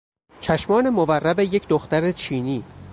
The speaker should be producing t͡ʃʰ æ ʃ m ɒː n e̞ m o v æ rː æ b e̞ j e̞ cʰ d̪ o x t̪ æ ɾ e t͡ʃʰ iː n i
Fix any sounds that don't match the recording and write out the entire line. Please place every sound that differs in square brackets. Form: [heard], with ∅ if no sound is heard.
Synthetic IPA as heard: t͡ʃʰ æ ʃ m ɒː n e̞ m o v æ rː æ b e̞ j e̞ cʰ d̪ o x t̪ æ ɾ e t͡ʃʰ iː n [iː]